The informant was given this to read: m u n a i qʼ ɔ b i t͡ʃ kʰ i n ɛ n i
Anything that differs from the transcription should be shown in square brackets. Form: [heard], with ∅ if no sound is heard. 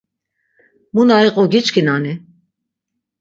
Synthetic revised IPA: m u n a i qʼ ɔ [ɡ] i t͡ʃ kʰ i n [a] n i